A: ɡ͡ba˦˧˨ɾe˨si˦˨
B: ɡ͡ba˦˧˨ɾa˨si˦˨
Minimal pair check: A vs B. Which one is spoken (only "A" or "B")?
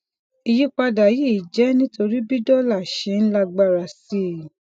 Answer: B